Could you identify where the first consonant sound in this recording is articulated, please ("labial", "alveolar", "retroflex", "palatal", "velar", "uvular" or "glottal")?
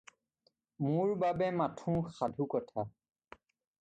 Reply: labial